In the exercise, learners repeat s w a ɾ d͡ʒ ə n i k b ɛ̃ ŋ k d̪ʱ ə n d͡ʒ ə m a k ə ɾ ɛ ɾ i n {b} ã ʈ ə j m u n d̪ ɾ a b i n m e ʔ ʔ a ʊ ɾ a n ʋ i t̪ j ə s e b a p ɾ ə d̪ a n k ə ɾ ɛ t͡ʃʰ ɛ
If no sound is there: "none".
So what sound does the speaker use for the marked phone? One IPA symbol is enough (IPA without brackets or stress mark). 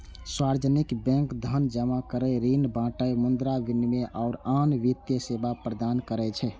b